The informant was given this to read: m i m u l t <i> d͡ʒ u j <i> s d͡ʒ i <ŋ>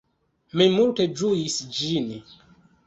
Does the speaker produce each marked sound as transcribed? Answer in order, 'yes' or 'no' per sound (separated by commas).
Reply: no, yes, no